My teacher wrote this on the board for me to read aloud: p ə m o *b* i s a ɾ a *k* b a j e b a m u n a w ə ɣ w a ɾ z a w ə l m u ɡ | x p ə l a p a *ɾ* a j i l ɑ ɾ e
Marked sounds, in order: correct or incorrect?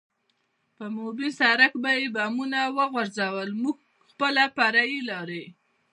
correct, correct, correct

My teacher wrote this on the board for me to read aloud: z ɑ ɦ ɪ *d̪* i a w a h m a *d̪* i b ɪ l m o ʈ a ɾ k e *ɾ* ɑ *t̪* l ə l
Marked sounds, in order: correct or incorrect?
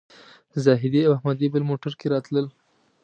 correct, correct, correct, correct

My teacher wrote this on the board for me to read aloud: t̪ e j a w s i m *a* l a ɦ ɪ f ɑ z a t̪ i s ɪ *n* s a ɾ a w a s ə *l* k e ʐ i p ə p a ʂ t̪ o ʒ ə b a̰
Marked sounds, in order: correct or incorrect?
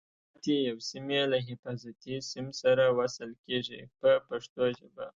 incorrect, incorrect, correct

